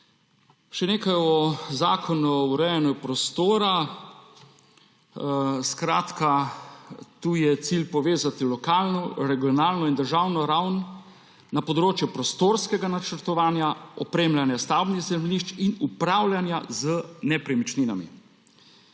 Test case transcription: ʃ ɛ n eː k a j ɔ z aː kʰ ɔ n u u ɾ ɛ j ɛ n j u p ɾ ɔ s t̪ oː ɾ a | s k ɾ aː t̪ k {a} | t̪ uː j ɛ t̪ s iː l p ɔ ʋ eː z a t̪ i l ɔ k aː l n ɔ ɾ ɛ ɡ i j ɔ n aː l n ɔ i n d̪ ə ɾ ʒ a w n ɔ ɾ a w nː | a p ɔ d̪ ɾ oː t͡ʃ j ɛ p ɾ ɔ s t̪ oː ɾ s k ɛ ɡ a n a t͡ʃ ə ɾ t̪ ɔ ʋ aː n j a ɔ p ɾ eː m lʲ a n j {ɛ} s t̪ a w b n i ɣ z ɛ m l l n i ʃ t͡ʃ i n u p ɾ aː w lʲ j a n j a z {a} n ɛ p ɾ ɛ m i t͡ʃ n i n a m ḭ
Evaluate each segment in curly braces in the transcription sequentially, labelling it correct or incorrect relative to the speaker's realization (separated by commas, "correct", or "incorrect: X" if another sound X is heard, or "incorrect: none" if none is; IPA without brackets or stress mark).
correct, incorrect: a, incorrect: ə